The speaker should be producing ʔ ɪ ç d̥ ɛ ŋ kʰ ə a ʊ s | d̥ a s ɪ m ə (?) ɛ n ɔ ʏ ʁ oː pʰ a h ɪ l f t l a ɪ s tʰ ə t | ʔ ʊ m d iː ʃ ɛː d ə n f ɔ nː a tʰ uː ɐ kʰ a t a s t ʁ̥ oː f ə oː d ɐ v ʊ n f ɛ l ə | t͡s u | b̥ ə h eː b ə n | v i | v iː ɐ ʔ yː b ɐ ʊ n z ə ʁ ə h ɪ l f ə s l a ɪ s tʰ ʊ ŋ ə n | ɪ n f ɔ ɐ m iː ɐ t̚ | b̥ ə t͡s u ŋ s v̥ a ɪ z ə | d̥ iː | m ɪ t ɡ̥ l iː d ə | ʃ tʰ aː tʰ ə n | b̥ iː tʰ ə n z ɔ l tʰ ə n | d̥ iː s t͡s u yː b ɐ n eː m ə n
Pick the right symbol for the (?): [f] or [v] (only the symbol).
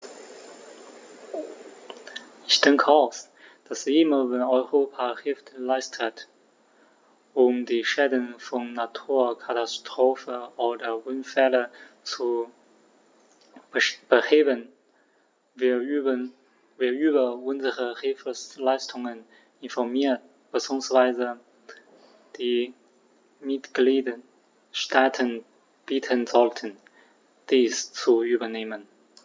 v